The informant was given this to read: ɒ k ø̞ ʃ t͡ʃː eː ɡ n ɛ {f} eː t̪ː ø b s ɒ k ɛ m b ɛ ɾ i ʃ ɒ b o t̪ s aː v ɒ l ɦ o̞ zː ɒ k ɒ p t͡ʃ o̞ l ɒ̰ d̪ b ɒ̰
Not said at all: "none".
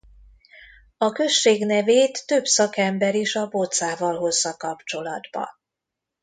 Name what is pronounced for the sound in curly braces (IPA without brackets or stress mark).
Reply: v